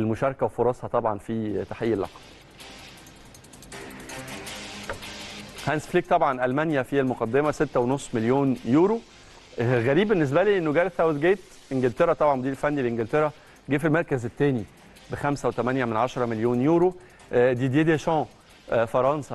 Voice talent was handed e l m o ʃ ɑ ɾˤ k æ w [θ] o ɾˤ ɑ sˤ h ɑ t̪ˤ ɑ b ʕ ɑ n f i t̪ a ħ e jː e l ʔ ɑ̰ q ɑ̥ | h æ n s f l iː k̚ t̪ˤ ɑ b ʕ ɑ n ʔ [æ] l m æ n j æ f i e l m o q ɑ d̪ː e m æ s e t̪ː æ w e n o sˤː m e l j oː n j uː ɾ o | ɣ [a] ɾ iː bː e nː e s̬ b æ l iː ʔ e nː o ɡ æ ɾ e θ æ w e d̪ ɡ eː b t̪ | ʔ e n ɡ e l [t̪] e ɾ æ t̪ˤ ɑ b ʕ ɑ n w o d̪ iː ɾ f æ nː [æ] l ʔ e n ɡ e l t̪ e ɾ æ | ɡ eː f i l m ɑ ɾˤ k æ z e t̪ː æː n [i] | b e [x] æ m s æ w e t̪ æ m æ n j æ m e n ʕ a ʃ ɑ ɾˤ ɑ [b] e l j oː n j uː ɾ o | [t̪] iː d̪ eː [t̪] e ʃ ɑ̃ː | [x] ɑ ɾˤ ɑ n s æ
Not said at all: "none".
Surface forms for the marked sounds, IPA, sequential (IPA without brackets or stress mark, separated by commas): f, æ, æ, t̪, i, i, x, m, d̪, d̪, f